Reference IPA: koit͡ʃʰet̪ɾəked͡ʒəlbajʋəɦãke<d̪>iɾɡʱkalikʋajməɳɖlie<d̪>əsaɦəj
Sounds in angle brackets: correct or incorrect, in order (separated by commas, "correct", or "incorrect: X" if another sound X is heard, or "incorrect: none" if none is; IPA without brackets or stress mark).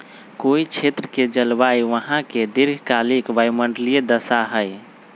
correct, correct